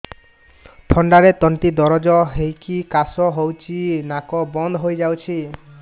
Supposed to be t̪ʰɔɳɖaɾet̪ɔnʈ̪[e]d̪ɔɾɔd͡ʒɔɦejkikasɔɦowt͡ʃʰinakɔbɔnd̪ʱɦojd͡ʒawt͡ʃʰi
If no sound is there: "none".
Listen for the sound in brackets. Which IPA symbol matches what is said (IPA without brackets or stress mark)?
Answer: i